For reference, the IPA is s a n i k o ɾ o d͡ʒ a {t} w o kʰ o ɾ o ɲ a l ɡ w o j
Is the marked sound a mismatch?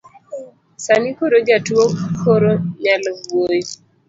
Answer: no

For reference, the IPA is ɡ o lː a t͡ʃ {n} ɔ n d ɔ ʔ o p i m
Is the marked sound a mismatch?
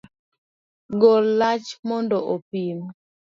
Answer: yes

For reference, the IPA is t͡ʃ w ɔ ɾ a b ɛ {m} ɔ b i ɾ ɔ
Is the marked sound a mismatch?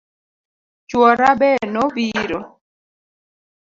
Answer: yes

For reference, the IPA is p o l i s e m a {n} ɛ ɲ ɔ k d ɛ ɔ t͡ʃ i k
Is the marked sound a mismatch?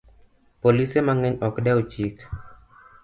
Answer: yes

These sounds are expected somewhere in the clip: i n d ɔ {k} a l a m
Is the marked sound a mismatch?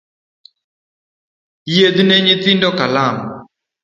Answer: no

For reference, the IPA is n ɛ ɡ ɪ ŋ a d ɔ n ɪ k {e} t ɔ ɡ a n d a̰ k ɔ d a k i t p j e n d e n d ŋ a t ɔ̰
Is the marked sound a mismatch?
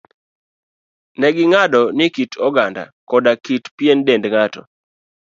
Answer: yes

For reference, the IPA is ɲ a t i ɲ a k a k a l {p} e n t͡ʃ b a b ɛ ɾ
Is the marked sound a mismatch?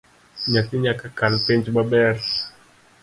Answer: no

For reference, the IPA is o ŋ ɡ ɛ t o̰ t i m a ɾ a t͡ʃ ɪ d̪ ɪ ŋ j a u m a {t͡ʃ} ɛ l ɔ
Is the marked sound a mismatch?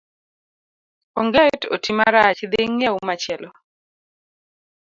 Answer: no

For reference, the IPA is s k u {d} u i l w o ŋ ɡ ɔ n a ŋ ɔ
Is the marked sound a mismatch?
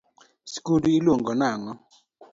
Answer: no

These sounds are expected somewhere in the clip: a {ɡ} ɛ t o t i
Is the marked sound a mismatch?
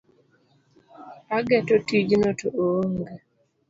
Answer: no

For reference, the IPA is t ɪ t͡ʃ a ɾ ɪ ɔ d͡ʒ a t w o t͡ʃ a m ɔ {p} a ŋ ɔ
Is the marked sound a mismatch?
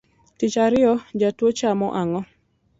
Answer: yes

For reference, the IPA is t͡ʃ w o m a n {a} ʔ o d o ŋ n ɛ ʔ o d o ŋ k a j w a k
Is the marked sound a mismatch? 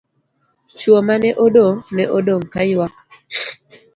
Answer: yes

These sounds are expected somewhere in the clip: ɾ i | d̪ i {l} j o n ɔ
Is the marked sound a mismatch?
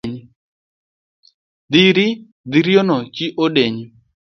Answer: yes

